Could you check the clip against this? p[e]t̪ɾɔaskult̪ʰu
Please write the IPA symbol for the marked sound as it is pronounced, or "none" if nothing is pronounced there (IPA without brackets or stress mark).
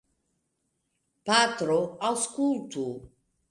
a